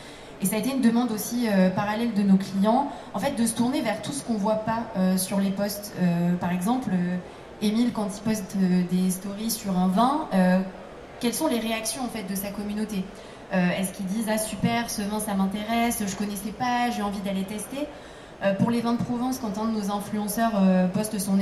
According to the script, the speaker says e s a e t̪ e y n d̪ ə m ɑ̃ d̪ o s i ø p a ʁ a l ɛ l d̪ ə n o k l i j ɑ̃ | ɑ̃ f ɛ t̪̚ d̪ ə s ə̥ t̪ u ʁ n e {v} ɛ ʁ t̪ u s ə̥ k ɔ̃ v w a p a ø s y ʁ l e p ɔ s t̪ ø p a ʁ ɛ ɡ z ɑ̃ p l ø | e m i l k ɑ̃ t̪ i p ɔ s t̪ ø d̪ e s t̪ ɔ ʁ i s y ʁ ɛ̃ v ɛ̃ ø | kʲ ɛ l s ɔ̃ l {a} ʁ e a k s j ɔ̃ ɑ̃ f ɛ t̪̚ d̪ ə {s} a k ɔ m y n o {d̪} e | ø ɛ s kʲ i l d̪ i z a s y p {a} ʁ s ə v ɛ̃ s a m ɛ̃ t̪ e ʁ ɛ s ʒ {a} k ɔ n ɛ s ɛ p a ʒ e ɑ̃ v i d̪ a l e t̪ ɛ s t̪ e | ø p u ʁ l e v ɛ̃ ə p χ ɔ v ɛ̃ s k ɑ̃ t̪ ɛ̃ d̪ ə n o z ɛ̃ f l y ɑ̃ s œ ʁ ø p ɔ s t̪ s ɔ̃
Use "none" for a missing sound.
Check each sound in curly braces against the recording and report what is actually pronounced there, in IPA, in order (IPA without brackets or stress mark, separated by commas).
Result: v, e, s, t̪, ɛ, ə